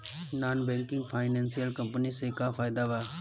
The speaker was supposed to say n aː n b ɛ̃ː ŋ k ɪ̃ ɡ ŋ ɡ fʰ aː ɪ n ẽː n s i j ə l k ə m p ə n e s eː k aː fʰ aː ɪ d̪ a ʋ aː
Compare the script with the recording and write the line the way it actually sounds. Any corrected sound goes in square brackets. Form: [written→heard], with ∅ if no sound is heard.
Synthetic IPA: n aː n b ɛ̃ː ŋ k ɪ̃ [ɡ→∅] ŋ ɡ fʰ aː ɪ n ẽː n s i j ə l k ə m p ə n [e→i] s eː k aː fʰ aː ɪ d̪ a ʋ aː